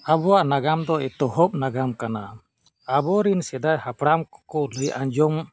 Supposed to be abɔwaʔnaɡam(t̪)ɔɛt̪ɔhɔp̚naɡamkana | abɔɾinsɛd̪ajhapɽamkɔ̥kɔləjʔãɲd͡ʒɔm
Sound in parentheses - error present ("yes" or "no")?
yes